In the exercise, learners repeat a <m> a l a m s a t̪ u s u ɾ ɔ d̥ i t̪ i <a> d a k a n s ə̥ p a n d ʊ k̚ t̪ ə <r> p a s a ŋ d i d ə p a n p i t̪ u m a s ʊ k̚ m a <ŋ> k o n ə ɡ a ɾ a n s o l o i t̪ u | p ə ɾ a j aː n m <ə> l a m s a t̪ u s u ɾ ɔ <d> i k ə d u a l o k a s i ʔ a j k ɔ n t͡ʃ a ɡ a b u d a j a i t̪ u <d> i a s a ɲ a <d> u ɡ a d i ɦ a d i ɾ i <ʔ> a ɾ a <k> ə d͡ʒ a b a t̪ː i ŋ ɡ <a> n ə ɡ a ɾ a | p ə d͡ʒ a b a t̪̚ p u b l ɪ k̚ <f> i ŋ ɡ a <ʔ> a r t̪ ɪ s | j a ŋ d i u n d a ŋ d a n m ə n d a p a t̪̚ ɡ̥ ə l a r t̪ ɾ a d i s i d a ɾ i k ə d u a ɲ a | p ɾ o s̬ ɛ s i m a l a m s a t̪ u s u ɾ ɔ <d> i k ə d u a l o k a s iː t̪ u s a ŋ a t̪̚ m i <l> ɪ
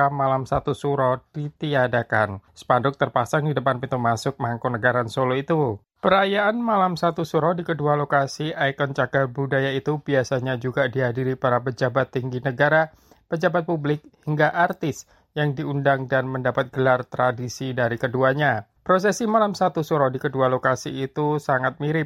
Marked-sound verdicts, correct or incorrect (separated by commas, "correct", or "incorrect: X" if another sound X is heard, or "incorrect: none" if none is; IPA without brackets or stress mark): correct, correct, correct, correct, incorrect: a, correct, incorrect: b, incorrect: d͡ʒ, incorrect: p, incorrect: p, incorrect: i, incorrect: h, correct, correct, incorrect: ɾ